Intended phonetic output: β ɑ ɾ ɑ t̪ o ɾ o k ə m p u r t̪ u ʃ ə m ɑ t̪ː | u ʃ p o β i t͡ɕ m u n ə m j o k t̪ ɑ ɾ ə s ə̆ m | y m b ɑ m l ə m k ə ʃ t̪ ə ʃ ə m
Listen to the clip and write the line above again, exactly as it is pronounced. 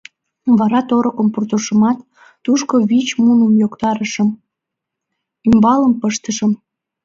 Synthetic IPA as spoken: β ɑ ɾ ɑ t̪ o ɾ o k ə m p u r t̪ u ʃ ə m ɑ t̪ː | u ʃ k o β i t͡ɕ m u n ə m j o k t̪ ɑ ɾ ə ʃ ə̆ m | y m b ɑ l ə m p ə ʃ t̪ ə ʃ ə m